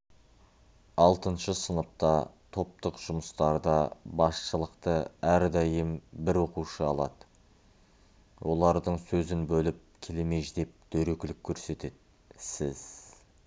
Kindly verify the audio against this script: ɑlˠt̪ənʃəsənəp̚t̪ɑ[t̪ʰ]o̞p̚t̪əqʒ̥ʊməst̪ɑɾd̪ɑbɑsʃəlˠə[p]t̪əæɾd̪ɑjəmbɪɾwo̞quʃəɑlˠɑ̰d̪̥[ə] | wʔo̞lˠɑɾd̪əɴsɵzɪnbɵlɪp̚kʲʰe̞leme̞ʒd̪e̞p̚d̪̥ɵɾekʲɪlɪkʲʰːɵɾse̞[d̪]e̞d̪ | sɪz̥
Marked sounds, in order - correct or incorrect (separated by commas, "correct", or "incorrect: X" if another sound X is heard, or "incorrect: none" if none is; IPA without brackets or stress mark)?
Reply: correct, incorrect: q, correct, incorrect: t̪